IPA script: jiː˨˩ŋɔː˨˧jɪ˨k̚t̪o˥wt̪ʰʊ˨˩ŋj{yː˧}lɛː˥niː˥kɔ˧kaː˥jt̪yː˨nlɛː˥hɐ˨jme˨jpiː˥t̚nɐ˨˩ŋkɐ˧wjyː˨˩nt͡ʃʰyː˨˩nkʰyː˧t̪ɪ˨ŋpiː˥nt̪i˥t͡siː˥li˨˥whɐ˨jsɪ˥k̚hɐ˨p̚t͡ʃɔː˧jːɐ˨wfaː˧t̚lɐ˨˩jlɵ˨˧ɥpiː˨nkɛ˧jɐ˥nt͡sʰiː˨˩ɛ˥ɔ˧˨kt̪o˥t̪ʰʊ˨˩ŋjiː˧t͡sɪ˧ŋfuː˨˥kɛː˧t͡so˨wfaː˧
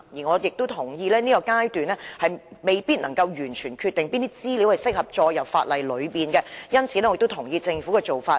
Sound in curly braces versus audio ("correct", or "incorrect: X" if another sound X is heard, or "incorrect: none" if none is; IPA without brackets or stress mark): incorrect: iː˧